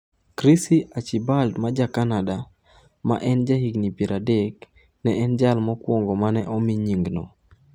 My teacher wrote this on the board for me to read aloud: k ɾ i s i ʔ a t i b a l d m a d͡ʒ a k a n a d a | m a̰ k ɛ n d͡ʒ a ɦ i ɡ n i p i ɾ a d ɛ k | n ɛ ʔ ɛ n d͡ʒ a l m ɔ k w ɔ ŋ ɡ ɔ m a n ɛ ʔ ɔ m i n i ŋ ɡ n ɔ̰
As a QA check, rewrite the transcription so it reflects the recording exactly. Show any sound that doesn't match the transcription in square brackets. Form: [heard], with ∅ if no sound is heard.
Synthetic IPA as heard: k ɾ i s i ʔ a [t͡ʃ] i b a l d m a d͡ʒ a k a n a d a | m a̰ [ʔ] ɛ n d͡ʒ a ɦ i ɡ n i p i ɾ a d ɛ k | n ɛ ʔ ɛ n d͡ʒ a l m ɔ k w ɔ ŋ ɡ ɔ m a n ɛ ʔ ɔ m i [ɲ] i ŋ ɡ n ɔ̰